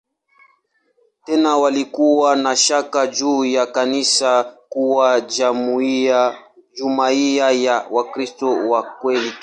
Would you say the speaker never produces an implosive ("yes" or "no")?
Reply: yes